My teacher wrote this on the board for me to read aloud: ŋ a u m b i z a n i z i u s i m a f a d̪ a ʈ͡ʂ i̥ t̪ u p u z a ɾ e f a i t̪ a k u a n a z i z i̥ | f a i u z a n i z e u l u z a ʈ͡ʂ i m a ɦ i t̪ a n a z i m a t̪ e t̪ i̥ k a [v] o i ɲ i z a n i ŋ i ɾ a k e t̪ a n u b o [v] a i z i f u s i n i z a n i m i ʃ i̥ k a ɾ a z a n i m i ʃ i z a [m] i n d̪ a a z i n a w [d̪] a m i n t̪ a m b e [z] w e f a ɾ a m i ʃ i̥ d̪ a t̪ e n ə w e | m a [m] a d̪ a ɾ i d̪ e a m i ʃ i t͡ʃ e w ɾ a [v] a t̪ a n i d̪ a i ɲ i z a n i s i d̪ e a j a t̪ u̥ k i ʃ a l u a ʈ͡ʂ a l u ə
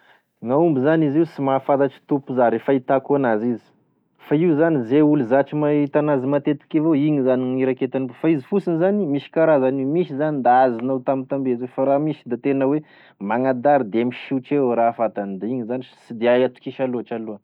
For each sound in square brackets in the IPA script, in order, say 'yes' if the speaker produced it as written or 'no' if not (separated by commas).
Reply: yes, no, no, no, yes, no, no